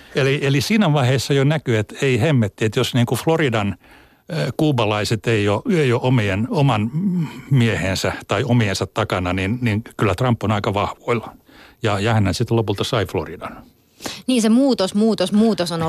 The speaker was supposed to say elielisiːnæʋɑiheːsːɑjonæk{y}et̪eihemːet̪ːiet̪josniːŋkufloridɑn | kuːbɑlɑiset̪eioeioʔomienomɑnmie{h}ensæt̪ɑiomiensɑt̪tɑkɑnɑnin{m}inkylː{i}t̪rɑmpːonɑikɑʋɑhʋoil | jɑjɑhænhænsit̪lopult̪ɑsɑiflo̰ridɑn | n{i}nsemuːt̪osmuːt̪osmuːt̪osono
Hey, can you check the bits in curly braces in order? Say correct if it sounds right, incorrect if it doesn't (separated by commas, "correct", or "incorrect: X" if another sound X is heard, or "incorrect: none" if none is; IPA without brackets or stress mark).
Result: correct, correct, incorrect: n, incorrect: æ, incorrect: iː